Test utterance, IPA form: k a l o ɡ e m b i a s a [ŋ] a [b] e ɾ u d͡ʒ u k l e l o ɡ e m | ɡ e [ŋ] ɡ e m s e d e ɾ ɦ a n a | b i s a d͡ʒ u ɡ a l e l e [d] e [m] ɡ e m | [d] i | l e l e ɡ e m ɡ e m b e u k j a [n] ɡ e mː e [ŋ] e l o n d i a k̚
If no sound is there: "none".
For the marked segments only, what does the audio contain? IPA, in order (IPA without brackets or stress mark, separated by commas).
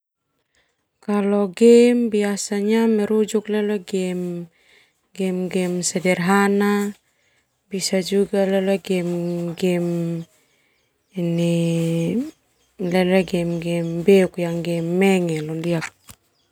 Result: ɲ, m, m, ɡ, m, n, ŋ, ŋ